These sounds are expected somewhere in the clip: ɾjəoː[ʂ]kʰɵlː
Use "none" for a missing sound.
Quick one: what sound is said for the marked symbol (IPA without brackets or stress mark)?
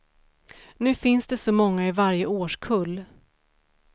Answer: ʂ